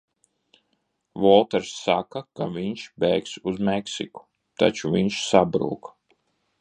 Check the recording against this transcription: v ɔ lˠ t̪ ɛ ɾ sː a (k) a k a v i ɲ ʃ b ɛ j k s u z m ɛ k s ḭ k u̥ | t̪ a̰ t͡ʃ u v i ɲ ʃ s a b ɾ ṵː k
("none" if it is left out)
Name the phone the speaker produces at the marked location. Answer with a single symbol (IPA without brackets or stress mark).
k